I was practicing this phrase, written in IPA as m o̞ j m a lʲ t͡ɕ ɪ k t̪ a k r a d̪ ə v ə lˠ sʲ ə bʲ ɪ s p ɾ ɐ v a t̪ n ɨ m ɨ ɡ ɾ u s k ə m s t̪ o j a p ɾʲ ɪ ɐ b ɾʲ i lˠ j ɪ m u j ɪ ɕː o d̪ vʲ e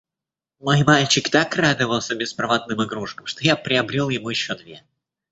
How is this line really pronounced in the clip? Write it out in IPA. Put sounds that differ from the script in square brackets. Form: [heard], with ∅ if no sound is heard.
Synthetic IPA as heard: m o̞ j m a lʲ t͡ɕ ɪ k t̪ a k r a d̪ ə v ə lˠ sʲ ə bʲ ɪ s p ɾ ɐ v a t̪ n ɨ m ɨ ɡ ɾ u [ʂ] k ə m [ʂ] t̪ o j a p ɾʲ ɪ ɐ b ɾʲ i lˠ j ɪ m u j ɪ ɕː o d̪ vʲ e